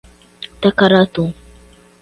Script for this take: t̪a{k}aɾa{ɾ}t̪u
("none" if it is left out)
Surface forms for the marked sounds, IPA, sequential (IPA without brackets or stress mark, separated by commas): k, none